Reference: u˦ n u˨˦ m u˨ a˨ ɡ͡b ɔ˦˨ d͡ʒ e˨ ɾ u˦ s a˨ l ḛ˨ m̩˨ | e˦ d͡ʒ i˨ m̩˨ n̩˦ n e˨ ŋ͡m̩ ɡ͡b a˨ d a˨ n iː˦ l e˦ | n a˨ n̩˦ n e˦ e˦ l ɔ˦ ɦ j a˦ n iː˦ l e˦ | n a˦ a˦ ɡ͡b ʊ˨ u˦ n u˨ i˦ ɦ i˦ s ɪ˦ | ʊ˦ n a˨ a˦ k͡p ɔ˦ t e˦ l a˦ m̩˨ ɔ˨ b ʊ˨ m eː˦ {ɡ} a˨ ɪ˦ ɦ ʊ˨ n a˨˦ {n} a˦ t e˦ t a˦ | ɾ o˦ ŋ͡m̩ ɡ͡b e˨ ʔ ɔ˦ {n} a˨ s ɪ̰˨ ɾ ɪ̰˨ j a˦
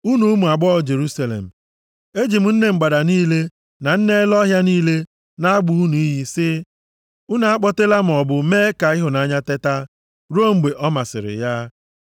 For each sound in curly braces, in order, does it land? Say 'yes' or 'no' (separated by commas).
no, no, no